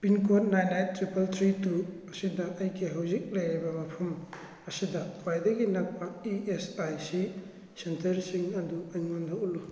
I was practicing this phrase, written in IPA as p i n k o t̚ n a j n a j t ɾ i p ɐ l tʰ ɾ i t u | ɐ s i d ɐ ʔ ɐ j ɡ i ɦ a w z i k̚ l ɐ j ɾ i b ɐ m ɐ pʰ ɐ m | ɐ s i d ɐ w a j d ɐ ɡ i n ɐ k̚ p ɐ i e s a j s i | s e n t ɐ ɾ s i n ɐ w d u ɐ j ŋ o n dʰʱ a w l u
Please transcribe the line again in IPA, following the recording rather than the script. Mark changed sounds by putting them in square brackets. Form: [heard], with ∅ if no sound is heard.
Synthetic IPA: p i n k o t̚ n a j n a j t ɾ i p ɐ l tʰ ɾ i t u | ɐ s i d ɐ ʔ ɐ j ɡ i ɦ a w z i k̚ l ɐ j ɾ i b ɐ m ɐ pʰ ɐ m | ɐ s i d ɐ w a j d ɐ ɡ i n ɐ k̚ p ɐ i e s a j s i | s e n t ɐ ɾ s i [ŋ] ɐ [∅] d u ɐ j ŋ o n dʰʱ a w l u